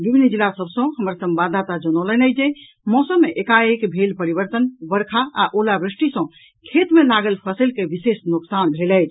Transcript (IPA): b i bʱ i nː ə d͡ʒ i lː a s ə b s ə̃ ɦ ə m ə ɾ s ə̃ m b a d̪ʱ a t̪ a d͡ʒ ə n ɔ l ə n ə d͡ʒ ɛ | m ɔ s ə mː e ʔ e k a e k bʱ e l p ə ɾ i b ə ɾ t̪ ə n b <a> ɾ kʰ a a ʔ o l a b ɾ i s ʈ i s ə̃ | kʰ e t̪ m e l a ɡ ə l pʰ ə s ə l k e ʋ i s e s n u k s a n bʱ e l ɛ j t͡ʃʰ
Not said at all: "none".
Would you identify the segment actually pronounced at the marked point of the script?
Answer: ə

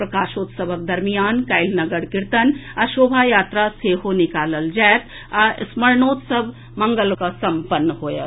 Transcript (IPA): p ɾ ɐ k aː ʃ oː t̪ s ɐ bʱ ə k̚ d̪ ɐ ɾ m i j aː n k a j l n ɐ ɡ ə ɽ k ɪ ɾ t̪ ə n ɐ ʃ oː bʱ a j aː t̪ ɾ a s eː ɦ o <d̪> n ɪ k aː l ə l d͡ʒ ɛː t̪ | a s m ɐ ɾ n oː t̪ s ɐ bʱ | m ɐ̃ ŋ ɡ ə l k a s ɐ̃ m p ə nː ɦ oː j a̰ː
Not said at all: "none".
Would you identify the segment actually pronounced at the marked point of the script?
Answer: none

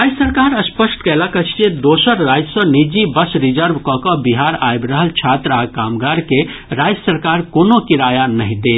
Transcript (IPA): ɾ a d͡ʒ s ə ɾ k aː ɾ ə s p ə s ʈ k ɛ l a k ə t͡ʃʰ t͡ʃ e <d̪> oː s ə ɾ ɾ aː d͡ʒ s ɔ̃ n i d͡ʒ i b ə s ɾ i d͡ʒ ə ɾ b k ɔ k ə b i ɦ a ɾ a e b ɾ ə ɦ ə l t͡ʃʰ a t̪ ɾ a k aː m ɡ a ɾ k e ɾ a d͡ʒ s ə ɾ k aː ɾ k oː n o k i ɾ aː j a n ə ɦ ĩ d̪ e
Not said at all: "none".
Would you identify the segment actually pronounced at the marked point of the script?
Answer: d̪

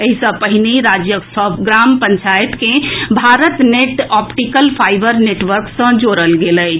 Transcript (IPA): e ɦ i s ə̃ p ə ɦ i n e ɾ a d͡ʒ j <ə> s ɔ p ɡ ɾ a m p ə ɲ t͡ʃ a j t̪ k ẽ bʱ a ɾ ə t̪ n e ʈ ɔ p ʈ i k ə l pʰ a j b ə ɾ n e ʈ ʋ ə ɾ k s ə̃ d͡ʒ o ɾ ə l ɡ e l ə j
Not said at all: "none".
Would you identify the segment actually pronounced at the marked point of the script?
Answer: ə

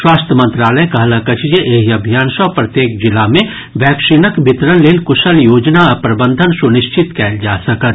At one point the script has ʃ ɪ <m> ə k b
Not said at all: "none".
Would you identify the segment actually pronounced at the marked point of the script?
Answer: n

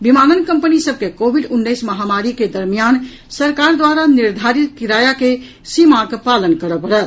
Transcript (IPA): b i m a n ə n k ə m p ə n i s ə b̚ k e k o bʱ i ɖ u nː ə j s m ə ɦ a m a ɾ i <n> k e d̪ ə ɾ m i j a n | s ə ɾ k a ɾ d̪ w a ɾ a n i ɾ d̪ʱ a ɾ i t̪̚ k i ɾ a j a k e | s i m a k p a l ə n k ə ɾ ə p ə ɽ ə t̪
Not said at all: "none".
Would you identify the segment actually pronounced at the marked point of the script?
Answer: none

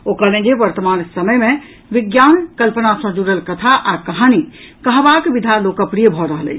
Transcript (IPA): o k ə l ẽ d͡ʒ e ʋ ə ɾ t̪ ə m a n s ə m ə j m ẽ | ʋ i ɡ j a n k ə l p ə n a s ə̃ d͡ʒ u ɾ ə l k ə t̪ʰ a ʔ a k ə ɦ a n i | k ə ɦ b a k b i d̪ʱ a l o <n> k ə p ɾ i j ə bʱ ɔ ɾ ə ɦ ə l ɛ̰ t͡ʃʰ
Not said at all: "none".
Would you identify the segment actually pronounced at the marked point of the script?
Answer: none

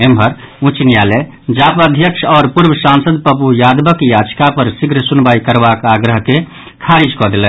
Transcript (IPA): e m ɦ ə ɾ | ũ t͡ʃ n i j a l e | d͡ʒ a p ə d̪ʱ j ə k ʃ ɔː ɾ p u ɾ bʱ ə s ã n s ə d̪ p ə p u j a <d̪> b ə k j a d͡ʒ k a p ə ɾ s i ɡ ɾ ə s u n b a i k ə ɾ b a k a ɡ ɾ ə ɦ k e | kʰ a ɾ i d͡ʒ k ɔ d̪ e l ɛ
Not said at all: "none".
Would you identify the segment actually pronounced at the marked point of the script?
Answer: d̪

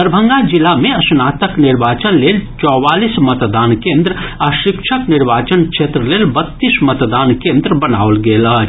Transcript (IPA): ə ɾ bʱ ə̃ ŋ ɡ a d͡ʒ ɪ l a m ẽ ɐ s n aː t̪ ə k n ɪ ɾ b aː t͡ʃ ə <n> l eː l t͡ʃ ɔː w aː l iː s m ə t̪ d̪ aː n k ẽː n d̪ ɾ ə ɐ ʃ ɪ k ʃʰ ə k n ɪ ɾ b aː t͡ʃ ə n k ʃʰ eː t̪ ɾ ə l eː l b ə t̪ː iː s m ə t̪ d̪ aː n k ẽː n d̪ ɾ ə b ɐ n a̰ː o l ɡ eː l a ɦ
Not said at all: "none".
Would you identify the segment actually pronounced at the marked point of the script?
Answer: n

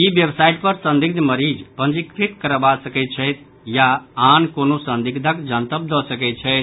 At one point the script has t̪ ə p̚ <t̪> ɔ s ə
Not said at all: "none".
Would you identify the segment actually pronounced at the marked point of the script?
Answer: d̪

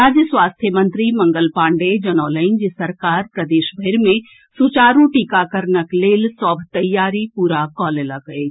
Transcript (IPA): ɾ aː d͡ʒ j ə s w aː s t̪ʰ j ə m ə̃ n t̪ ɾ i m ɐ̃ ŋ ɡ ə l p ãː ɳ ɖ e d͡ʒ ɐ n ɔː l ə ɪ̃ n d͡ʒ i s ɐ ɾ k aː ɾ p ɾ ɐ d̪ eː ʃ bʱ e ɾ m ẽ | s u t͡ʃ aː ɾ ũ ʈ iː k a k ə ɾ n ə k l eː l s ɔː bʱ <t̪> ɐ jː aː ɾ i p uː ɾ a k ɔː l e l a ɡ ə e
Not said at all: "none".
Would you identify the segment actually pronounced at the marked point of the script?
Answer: t̪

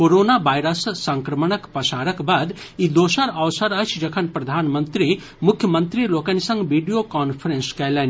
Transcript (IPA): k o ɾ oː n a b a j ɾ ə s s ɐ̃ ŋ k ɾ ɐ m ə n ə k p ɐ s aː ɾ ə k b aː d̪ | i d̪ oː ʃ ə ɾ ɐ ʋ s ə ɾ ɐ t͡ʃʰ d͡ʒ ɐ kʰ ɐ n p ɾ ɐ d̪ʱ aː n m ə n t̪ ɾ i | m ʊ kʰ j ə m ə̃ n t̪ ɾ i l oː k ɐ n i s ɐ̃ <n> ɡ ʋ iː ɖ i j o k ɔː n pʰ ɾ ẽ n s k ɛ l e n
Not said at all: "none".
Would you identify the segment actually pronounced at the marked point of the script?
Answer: ŋ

